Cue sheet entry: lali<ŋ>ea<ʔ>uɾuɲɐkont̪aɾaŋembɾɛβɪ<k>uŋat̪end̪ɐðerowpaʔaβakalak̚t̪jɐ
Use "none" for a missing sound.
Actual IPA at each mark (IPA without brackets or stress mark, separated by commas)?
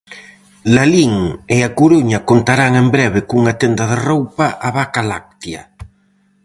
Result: ŋ, k, k